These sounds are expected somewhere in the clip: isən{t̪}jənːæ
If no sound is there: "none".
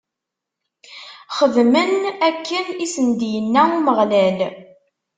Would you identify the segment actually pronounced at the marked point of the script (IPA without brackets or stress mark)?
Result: d̪